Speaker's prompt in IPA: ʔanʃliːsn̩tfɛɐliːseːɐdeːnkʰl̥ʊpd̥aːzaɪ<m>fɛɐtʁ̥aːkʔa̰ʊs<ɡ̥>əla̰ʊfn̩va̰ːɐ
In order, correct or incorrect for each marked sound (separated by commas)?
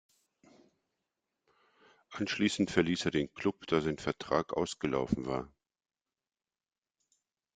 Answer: incorrect, correct